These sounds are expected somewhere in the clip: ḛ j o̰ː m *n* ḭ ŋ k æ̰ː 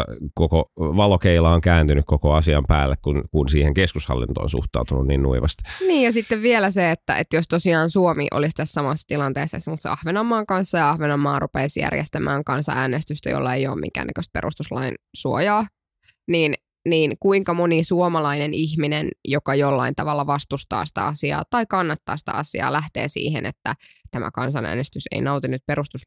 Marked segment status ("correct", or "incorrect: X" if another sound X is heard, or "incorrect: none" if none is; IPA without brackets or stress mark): incorrect: m